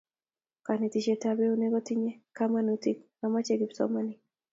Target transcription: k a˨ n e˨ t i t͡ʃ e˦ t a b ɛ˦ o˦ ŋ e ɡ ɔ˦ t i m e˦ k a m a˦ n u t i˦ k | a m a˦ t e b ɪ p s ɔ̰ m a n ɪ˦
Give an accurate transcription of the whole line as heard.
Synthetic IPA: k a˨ n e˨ t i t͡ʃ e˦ t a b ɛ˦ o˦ n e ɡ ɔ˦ t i ɲ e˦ k a m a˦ n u t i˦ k | a m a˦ t͡ʃ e ɡ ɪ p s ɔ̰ m a n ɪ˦